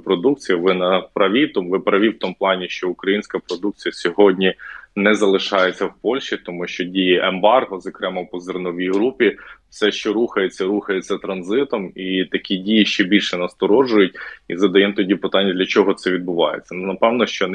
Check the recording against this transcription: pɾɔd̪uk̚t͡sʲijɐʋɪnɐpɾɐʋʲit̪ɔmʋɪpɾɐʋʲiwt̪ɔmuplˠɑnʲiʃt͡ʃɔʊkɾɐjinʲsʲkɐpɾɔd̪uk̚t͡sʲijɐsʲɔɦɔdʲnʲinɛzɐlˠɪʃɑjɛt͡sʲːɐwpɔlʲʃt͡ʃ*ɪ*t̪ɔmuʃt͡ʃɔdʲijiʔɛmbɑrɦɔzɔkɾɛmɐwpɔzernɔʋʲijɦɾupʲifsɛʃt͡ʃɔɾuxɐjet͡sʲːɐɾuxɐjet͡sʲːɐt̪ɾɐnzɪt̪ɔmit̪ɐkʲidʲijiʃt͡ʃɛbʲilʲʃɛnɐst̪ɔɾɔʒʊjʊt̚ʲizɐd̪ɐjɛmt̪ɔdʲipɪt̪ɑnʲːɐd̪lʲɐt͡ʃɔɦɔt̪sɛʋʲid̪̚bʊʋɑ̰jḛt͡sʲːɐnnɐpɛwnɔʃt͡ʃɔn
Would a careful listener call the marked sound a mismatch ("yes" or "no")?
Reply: yes